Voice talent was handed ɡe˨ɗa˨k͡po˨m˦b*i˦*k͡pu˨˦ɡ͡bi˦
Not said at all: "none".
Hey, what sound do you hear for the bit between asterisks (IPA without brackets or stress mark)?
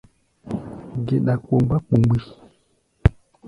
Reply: a˦